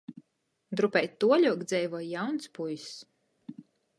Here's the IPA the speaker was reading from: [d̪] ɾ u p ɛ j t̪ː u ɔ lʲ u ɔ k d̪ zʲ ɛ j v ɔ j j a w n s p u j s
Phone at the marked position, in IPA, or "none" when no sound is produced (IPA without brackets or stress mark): d̪